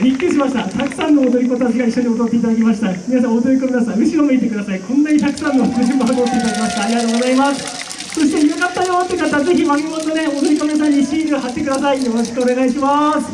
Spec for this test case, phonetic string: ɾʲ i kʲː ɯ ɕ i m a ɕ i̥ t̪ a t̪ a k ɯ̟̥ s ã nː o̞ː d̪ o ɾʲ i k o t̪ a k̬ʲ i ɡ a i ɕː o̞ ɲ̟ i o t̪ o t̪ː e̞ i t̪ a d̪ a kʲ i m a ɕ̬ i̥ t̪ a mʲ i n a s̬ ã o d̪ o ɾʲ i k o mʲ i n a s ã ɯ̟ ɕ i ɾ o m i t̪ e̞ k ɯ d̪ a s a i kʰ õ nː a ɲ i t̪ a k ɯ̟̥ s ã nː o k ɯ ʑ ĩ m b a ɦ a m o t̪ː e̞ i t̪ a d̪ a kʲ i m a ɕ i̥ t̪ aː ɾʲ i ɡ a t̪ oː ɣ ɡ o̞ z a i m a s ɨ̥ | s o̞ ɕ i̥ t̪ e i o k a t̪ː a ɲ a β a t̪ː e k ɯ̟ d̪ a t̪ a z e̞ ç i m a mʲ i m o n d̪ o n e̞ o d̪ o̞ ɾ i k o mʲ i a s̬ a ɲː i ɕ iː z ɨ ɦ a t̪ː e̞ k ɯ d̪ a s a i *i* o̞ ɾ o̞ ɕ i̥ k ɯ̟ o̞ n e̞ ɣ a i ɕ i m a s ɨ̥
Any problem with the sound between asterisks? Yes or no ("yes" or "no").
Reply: yes